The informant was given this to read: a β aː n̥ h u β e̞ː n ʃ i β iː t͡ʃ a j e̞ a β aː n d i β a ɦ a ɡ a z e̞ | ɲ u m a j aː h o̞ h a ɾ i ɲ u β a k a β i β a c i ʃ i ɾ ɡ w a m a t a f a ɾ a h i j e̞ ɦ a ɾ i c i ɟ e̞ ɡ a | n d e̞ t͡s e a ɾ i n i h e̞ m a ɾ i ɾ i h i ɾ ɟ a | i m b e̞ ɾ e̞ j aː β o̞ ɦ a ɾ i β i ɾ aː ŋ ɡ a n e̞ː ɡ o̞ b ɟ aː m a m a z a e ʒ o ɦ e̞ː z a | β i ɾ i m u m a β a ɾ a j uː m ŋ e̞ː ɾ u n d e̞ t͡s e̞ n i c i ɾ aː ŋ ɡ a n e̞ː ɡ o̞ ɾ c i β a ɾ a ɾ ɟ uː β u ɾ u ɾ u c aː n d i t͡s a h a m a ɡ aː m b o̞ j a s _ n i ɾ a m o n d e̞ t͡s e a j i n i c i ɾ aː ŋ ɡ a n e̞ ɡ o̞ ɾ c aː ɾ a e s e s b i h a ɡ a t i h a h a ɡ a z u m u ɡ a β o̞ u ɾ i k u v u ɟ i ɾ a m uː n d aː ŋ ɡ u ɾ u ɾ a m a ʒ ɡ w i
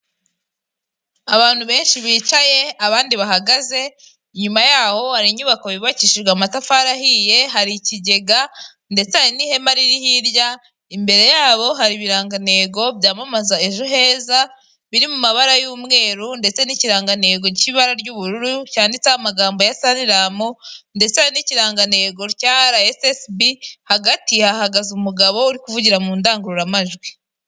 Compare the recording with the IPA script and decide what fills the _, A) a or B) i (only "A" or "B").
A